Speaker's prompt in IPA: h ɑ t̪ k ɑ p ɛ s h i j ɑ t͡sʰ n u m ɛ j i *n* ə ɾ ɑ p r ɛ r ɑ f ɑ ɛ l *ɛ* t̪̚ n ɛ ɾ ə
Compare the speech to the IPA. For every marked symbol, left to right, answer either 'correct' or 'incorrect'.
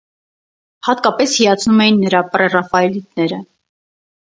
incorrect, incorrect

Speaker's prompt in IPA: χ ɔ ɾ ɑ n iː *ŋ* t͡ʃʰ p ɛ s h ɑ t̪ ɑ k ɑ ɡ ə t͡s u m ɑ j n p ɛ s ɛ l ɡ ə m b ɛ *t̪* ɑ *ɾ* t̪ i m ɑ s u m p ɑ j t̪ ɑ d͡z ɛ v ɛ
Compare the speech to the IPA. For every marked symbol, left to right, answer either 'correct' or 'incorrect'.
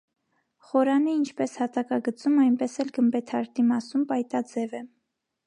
incorrect, incorrect, correct

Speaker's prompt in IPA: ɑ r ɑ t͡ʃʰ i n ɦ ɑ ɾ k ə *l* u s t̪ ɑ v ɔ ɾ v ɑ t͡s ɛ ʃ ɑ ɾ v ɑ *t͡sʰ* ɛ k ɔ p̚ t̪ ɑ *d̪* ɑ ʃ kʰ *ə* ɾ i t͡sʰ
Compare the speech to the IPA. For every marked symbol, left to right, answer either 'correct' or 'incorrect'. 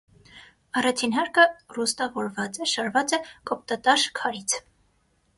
incorrect, incorrect, incorrect, incorrect

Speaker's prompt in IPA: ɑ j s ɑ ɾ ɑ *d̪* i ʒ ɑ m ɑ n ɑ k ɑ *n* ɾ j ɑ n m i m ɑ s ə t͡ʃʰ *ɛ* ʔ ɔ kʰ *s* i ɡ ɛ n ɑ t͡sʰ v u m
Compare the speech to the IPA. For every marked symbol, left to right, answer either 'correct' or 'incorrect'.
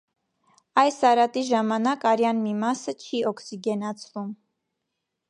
incorrect, incorrect, incorrect, correct

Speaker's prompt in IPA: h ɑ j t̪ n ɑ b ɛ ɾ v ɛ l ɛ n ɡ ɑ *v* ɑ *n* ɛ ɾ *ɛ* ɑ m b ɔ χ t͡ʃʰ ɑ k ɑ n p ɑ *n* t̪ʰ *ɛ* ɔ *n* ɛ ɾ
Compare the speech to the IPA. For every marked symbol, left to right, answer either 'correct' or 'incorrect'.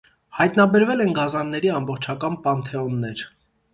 incorrect, incorrect, incorrect, correct, correct, incorrect

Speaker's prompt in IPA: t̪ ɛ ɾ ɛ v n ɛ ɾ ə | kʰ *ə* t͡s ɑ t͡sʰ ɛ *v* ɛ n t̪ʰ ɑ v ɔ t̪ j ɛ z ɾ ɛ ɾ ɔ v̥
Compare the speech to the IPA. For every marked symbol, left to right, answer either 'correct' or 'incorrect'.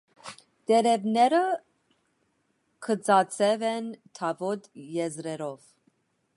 correct, correct

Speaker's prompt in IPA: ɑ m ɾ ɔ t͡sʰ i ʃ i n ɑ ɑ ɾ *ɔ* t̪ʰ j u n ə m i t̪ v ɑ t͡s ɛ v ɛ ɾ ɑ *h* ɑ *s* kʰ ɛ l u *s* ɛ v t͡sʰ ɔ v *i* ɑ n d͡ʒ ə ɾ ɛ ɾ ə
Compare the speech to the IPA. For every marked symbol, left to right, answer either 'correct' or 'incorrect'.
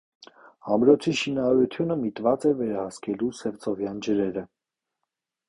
incorrect, correct, correct, correct, incorrect

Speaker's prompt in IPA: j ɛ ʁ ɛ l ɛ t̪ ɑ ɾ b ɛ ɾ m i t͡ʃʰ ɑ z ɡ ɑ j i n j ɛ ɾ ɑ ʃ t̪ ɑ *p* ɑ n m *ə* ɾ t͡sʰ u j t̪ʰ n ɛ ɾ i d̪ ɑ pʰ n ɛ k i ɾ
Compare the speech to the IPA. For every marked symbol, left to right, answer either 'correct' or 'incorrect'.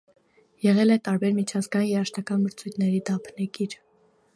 incorrect, correct

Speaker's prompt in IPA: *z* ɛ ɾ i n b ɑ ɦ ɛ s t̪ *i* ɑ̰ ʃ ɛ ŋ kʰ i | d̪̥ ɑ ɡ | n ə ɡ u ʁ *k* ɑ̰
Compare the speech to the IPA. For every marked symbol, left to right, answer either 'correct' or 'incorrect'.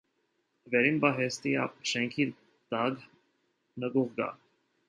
incorrect, correct, incorrect

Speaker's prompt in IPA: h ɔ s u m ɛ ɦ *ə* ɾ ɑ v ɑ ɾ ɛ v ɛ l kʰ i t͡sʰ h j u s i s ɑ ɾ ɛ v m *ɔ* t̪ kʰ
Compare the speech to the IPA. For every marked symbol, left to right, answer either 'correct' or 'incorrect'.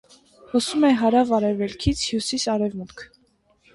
incorrect, incorrect

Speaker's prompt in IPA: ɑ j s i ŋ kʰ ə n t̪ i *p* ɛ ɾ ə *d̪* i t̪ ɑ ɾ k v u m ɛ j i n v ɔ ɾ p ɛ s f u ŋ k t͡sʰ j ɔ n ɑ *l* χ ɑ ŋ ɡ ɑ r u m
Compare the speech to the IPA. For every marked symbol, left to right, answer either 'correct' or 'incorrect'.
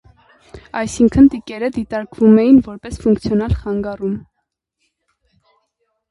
incorrect, correct, correct

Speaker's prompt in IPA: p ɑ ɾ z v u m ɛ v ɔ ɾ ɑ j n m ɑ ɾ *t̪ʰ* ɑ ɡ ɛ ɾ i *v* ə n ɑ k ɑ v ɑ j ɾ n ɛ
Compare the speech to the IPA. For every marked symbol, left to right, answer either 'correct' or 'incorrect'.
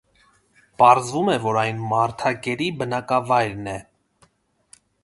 correct, incorrect

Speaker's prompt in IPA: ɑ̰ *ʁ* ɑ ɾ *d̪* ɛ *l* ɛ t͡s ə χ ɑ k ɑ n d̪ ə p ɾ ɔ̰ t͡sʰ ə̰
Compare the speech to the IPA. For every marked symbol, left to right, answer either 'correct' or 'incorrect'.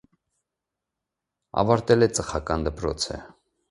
incorrect, incorrect, correct

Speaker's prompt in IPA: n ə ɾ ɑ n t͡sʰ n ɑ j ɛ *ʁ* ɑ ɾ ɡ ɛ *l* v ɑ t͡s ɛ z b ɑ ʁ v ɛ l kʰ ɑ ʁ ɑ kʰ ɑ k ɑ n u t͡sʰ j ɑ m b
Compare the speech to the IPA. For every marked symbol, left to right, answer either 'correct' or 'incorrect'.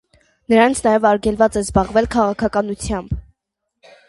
incorrect, correct

